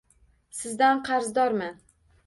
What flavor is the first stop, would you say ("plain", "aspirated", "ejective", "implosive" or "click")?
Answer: plain